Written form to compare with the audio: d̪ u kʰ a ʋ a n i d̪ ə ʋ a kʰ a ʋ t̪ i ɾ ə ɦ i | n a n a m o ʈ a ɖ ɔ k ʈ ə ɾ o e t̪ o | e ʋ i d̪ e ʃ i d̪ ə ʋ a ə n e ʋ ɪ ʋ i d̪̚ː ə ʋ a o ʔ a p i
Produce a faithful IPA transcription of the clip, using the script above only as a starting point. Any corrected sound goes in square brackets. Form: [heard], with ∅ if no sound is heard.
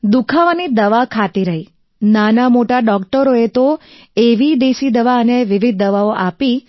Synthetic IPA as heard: d̪ u kʰ a ʋ a n i d̪ ə ʋ a kʰ a [∅] t̪ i ɾ ə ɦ i | n a n a m o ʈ a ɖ ɔ k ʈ ə ɾ o e t̪ o | e ʋ i d̪ e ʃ i d̪ ə ʋ a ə n e ʋ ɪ ʋ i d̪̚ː ə ʋ a o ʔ a p i